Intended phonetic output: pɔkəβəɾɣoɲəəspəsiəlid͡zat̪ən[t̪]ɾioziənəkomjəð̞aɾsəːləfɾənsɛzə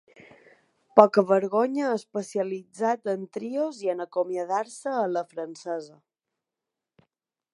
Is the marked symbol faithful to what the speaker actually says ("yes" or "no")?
yes